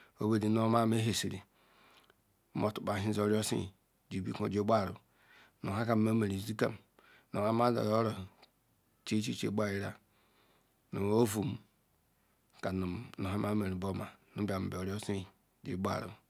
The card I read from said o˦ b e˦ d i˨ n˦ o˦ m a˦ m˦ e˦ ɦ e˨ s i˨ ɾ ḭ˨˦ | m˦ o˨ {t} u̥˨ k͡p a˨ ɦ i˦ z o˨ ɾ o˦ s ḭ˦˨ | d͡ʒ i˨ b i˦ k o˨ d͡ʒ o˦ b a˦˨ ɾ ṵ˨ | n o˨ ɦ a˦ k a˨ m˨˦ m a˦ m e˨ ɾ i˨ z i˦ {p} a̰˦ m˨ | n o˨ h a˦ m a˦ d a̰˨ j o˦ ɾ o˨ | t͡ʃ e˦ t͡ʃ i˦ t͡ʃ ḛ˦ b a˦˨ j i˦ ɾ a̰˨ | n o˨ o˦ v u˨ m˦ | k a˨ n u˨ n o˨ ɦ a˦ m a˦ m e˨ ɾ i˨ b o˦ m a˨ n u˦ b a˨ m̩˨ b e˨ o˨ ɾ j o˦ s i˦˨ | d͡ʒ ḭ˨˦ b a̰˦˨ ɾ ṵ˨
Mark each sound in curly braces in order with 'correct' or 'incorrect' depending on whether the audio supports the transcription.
correct, incorrect: k

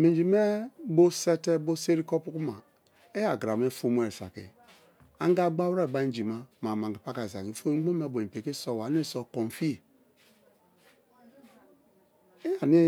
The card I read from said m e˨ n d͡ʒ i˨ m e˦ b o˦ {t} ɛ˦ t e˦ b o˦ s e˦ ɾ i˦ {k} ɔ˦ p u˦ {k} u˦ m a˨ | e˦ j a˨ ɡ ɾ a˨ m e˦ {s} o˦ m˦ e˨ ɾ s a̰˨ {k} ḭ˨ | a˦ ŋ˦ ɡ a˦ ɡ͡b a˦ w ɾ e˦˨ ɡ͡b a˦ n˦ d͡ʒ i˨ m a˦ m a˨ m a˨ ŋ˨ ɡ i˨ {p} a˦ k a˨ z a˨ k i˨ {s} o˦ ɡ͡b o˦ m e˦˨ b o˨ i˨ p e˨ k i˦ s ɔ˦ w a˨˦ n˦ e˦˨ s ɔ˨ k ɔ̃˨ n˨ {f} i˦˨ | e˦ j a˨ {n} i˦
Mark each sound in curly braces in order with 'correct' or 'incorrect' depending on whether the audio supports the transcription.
incorrect: s, correct, correct, incorrect: f, correct, correct, incorrect: f, correct, correct

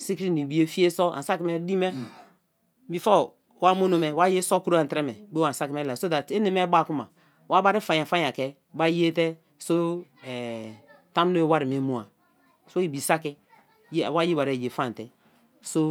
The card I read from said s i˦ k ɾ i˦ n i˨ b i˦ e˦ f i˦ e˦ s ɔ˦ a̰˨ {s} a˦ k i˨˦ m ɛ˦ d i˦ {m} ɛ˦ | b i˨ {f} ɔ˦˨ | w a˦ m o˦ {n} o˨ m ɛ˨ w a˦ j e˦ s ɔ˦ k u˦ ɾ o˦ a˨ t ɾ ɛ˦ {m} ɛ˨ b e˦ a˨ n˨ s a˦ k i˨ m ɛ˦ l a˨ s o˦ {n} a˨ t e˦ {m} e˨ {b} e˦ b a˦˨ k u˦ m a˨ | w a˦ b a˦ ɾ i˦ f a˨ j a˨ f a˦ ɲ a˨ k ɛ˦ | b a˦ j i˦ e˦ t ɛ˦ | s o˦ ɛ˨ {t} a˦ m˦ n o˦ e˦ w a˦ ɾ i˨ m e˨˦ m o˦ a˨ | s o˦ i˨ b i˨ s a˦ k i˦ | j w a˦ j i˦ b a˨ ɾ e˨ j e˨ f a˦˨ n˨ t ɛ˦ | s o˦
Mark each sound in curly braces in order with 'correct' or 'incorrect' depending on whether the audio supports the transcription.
correct, correct, correct, correct, correct, incorrect: d, incorrect: n, incorrect: m, correct

